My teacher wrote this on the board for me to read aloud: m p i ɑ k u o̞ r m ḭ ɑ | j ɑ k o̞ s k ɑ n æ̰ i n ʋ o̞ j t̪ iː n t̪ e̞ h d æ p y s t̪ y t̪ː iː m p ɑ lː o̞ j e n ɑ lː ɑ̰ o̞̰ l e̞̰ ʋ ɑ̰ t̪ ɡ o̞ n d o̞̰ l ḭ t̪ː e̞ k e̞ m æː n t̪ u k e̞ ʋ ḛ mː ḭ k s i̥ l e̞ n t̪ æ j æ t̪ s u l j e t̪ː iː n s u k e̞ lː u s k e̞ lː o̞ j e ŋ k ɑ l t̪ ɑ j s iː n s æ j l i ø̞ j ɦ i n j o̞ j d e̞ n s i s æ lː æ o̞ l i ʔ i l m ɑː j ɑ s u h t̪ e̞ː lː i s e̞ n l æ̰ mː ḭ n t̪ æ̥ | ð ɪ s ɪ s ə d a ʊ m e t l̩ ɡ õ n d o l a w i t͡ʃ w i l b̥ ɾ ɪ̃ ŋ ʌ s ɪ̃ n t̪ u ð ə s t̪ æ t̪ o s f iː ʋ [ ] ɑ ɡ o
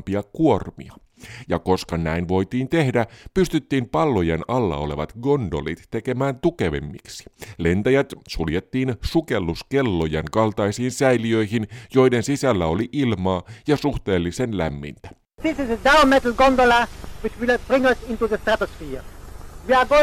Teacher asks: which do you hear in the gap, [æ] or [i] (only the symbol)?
i